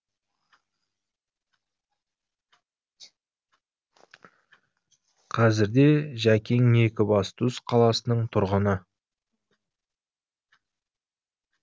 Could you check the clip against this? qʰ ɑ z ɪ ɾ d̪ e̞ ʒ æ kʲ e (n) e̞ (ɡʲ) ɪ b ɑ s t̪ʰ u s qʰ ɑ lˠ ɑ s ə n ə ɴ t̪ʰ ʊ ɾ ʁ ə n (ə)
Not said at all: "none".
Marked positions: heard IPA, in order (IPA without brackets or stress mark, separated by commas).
ŋ, kʲ, ə